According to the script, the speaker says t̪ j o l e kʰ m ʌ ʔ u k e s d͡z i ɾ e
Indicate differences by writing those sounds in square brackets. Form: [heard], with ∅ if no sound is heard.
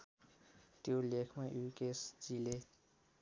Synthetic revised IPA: t̪ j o l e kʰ m [a] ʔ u k e s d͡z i [l] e